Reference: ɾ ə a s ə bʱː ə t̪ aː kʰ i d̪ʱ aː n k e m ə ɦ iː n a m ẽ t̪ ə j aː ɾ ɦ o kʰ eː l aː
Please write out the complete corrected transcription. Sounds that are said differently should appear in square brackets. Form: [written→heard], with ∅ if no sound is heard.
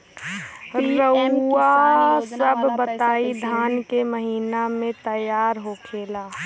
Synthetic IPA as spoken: ɾ ə a s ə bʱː ə t̪ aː [kʰ→∅] i d̪ʱ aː n k e m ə ɦ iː n a m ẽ t̪ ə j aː ɾ ɦ o kʰ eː l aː